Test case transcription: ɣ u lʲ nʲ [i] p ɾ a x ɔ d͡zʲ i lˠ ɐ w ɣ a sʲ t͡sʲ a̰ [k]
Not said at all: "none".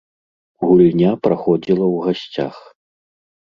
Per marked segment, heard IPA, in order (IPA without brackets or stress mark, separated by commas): a, x